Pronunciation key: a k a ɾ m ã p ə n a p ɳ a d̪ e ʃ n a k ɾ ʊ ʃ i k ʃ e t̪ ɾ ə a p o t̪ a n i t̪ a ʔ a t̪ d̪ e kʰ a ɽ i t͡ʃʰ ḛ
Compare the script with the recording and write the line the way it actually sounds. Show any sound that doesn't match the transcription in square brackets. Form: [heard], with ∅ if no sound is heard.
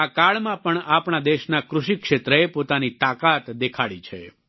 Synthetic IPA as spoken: a k a [ɭ] m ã p ə [ɳ] a p ɳ a d̪ e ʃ n a k ɾ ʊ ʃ i k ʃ e t̪ ɾ ə [e] p o t̪ a n i t̪ a [k] a t̪ d̪ e kʰ a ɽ i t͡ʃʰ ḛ